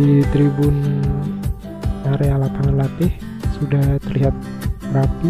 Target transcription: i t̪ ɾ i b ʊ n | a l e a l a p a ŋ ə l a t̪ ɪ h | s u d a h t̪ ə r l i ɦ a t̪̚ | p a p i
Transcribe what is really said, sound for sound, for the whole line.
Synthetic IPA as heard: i t̪ ɾ i b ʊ n | a ɾ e a l a p a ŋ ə l a t̪ ɪ h | s u d a h t̪ ə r l i ɦ a t̪̚ | b a p i